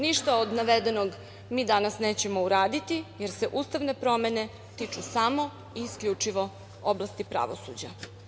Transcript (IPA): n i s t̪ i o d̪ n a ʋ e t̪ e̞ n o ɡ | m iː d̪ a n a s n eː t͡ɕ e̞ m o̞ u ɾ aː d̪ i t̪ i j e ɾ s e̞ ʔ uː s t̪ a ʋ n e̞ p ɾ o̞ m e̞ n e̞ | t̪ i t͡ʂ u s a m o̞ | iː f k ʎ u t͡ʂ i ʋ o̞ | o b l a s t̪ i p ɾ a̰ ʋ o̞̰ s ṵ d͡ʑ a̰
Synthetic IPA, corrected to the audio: n i ʃ t̪ a o d̪ n a ʋ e d̪ e̞ n o ɡ | m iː d̪ a n a s n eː t͡ɕ e̞ m o̞ u ɾ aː d̪ i t̪ i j e ɾ s e̞ ʔ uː s t̪ a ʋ n e̞ p ɾ o̞ m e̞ n e̞ | t̪ i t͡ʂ u s a m o̞ | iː s k ʎ u t͡ʂ i ʋ o̞ | o b l a s t̪ i p ɾ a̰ ʋ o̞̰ s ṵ d͡ʑ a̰